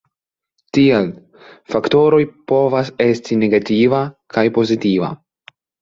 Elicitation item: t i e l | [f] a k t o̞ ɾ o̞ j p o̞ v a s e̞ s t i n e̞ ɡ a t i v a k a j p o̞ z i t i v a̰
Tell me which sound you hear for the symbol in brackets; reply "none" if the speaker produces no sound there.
f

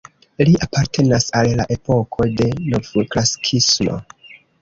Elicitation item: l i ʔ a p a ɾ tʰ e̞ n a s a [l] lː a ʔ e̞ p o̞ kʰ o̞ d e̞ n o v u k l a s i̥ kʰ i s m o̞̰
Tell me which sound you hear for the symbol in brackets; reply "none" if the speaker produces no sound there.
l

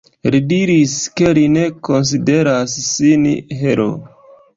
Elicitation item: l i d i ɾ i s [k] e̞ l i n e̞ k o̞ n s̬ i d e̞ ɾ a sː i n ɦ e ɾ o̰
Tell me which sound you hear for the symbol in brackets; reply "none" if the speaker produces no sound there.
k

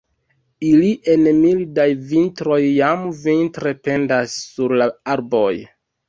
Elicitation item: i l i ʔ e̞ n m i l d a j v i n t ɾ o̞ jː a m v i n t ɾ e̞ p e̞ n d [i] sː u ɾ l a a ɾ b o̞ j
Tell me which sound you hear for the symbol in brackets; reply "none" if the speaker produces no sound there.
a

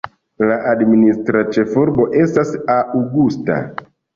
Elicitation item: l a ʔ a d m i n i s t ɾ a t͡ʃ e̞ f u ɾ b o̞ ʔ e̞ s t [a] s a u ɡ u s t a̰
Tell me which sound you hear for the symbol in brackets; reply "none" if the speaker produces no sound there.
a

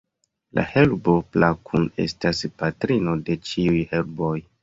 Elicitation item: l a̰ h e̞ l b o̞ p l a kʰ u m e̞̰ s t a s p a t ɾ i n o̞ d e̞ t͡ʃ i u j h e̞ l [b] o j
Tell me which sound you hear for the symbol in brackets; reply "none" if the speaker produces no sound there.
b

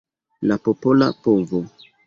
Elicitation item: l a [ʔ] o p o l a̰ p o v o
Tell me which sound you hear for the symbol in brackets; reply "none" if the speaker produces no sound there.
p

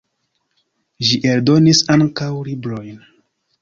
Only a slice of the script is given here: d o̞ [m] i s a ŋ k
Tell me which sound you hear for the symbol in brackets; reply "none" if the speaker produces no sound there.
n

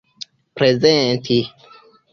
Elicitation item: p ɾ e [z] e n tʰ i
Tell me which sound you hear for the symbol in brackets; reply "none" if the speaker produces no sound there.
z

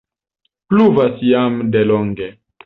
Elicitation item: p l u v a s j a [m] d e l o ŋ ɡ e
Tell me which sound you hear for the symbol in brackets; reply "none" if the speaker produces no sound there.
m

